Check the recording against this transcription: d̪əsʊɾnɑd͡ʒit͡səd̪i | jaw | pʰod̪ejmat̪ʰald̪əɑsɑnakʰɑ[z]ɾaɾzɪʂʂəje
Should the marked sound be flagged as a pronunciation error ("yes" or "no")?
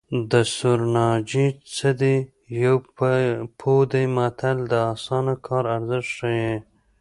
yes